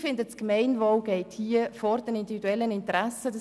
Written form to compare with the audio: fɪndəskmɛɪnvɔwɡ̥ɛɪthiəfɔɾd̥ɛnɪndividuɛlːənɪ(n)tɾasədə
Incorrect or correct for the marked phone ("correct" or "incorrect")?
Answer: correct